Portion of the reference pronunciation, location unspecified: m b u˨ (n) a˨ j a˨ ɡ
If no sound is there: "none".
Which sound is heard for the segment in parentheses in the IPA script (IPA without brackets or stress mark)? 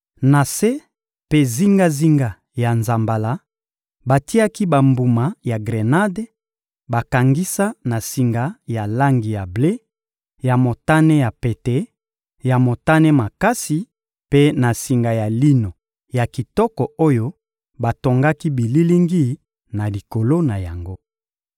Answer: m